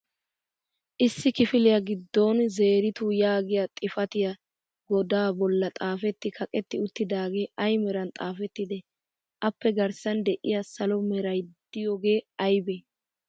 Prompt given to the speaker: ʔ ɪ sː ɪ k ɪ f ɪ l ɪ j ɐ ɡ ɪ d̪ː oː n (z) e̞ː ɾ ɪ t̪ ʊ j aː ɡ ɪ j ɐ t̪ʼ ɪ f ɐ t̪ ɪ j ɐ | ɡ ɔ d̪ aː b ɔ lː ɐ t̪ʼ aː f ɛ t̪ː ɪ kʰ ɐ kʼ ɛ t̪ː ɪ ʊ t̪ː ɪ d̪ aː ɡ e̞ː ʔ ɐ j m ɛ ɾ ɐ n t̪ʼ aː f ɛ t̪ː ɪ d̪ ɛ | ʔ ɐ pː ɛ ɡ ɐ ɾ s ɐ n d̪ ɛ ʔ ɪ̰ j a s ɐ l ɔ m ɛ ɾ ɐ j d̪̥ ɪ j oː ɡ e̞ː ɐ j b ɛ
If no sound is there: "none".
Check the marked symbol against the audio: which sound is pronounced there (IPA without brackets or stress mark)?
z